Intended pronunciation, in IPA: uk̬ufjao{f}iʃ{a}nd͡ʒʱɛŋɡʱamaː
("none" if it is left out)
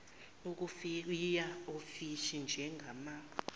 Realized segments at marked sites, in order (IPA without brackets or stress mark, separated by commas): f, i